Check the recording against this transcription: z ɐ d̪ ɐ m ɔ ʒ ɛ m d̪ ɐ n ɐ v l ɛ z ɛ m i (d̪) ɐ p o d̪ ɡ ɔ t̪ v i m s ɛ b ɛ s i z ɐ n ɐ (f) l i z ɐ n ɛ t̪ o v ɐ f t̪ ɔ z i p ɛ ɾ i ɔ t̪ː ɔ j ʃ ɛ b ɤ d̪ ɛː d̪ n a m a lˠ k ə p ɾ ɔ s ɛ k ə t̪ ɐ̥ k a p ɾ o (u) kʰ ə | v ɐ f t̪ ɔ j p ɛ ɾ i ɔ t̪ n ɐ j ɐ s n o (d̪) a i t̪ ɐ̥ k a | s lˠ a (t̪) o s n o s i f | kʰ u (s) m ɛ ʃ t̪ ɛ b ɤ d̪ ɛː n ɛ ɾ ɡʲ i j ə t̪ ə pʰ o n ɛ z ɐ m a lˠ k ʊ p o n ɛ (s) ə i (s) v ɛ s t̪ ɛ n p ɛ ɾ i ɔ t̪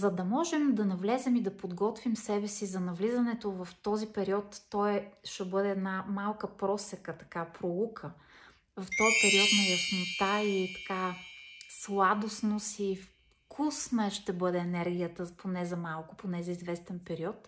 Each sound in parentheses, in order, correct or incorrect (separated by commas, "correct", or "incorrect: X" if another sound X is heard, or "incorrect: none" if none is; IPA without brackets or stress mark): correct, incorrect: v, correct, incorrect: t̪, incorrect: d̪, correct, incorrect: z, incorrect: z